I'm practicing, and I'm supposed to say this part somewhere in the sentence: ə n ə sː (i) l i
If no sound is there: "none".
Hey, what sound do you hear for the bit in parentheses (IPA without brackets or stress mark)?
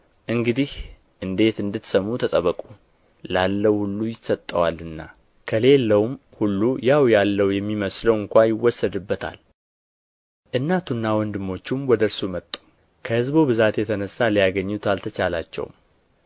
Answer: a